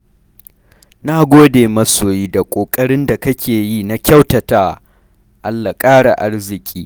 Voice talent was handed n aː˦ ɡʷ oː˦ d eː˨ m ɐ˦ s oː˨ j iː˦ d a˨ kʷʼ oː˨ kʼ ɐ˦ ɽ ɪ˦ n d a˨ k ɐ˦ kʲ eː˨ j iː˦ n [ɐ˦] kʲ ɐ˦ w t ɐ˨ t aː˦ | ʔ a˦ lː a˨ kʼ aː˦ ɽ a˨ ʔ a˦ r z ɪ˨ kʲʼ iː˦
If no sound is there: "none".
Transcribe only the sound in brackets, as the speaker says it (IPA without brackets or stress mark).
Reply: a˦